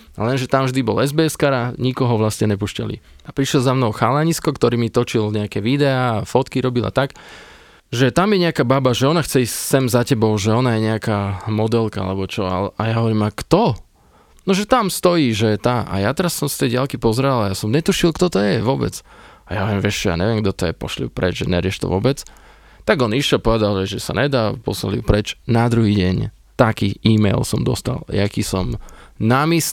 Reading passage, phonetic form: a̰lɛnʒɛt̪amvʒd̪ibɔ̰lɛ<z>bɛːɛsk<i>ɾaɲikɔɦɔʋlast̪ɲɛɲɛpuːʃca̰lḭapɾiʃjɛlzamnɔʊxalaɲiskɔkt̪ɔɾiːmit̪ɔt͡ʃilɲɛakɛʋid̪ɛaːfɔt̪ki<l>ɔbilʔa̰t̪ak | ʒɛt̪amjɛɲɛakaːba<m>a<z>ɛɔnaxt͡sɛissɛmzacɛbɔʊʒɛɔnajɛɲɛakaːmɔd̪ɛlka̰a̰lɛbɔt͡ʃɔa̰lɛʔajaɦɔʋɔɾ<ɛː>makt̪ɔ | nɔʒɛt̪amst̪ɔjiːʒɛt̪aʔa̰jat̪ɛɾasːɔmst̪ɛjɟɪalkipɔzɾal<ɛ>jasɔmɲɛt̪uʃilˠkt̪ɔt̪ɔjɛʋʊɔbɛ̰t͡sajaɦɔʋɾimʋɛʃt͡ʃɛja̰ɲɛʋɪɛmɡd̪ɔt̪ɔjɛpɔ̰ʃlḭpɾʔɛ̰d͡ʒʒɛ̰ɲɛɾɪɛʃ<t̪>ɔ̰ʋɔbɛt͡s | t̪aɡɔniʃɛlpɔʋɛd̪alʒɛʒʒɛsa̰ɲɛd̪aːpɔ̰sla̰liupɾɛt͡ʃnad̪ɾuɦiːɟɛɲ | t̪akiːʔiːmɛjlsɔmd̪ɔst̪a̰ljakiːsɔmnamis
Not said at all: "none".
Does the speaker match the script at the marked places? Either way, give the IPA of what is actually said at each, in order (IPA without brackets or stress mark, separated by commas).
z, a, ɾ, b, ʒ, iː, a, t̪